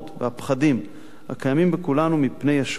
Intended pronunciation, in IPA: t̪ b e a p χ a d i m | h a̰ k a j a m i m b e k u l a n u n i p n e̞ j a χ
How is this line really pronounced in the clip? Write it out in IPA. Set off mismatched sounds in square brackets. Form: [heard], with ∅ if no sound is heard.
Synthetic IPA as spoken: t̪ [v] e a p χ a d i m | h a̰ k a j a m i m b e k u l a n u [m] i p n e̞ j a [ʃ]